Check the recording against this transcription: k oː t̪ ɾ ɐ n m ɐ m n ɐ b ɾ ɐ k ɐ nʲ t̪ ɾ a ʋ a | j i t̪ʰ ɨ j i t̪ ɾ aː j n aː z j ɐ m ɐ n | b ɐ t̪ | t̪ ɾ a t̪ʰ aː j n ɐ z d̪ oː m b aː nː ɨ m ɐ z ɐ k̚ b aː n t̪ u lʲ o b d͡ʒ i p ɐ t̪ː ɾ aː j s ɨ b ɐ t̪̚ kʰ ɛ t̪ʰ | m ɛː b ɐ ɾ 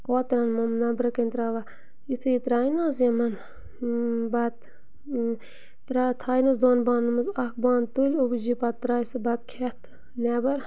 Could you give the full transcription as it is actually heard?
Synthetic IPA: k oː t̪ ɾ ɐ n m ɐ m n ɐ b ɾ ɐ k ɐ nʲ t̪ ɾ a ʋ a | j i t̪ʰ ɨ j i t̪ ɾ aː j n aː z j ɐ m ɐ n | b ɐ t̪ | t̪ ɾ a t̪ʰ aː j n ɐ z d̪ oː n b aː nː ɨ m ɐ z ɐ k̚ b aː n t̪ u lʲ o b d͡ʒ i p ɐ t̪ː ɾ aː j s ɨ b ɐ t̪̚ kʰ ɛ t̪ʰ | n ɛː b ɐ ɾ